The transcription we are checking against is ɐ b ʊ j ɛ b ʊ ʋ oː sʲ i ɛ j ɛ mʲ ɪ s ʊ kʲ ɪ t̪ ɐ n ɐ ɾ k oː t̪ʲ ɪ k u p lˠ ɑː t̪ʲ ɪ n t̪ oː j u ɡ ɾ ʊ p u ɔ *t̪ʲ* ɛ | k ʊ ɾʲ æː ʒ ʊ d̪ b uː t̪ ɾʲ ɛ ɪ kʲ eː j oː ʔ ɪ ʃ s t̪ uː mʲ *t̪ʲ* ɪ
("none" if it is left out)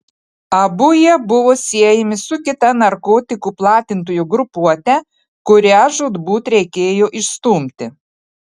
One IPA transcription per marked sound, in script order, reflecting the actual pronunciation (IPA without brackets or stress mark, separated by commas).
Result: t̪ʲ, t̪ʲ